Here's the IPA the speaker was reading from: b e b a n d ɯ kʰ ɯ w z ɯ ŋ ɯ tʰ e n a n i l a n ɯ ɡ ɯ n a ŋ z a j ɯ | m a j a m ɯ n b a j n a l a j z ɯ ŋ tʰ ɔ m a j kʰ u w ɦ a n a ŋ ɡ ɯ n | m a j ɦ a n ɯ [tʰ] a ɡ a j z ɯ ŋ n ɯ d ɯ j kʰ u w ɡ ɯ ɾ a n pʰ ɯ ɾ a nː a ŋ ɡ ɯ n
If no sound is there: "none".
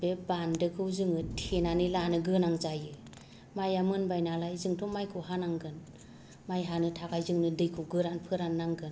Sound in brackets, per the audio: tʰ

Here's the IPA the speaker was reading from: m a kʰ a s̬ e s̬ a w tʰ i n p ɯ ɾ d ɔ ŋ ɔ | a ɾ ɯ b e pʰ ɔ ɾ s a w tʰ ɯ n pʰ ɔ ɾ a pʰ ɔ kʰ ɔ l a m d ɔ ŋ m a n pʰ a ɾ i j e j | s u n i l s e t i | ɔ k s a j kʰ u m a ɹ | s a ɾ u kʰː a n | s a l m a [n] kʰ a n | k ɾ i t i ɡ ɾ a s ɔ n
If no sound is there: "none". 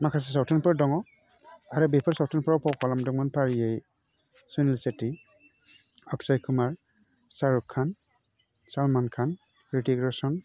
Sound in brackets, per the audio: n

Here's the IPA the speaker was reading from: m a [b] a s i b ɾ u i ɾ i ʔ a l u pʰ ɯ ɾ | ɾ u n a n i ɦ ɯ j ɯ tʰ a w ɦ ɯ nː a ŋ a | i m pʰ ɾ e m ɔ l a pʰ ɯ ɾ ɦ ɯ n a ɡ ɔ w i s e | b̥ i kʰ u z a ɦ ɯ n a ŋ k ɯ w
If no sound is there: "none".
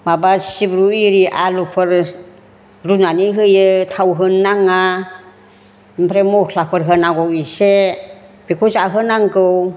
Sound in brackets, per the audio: b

